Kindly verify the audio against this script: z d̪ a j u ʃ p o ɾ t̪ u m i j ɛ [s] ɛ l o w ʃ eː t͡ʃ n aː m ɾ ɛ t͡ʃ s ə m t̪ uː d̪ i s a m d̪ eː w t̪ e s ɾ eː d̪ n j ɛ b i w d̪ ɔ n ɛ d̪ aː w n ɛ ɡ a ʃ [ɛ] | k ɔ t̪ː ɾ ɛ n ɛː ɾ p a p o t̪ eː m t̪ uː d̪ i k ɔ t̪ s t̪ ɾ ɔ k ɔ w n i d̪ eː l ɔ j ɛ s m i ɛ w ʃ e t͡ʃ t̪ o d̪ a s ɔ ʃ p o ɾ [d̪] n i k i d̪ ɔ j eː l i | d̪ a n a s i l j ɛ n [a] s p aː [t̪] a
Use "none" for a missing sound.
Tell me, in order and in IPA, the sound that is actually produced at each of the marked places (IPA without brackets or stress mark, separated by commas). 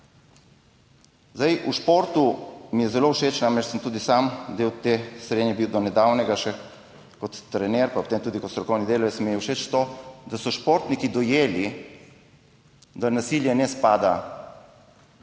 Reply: z, ɛ, t̪, ɛ, d̪